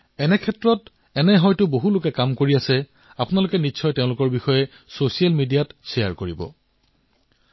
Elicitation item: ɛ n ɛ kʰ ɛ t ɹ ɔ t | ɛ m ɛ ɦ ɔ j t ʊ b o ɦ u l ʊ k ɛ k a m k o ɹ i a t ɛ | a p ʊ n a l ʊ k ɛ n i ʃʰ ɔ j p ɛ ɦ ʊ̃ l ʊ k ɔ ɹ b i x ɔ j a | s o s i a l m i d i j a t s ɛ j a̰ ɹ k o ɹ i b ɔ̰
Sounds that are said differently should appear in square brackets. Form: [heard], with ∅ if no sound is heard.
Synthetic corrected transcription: ɛ n ɛ kʰ ɛ t ɹ ɔ t | ɛ [n] ɛ ɦ ɔ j t ʊ b o ɦ u l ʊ k ɛ k a m k o ɹ i a [s] ɛ | a p ʊ n a l ʊ k ɛ n i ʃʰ ɔ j [t] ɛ [∅] ʊ̃ l ʊ k ɔ ɹ b i x ɔ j [ɛ] | s o s i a l m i d i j a t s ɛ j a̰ ɹ k o ɹ i b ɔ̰